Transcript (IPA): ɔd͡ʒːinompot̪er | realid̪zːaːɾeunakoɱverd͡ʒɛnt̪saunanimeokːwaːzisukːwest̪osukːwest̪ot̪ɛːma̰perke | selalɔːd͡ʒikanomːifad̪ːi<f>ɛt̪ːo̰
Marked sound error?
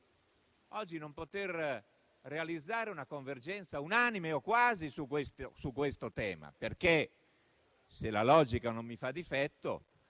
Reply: no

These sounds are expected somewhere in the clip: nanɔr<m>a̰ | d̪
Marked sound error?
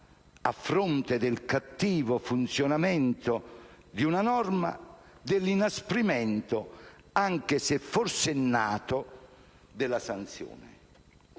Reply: no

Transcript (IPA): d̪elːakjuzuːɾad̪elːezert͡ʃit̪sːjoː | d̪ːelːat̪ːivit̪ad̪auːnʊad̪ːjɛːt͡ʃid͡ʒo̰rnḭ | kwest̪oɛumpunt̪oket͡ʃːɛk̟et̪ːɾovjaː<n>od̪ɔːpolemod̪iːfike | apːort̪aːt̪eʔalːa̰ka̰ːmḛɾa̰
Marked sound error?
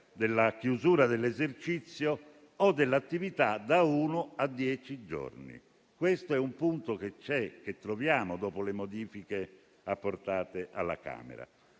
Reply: yes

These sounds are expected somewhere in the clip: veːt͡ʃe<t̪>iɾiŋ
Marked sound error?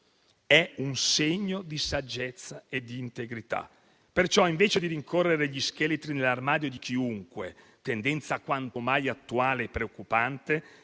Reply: yes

